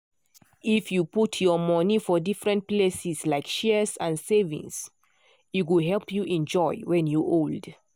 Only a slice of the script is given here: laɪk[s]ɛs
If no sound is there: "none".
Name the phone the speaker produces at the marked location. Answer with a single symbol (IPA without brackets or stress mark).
ʃ